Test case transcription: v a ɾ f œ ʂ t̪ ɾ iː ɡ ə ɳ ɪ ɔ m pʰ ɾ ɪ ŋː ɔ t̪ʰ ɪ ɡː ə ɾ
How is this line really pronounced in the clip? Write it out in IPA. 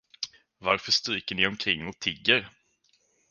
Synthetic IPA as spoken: v a ɾ f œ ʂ t̪ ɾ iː k ə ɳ ɪ ɔ m kʰ ɾ ɪ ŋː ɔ t̪ʰ ɪ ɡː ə ɾ